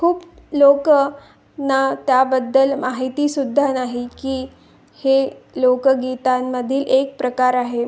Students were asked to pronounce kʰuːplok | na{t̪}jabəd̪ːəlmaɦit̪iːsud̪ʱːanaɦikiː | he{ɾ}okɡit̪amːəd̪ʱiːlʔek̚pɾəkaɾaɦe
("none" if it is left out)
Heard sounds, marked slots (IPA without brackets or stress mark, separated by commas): t̪, l